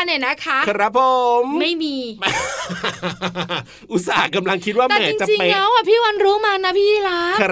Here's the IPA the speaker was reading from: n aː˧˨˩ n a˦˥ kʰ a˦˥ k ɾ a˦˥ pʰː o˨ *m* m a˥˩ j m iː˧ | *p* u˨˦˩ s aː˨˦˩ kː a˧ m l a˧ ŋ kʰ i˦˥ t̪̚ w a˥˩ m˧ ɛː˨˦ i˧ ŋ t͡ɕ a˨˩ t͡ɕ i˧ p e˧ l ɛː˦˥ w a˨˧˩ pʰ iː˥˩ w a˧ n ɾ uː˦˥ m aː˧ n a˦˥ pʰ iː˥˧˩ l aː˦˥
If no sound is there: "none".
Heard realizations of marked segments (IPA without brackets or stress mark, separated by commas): m, ʔ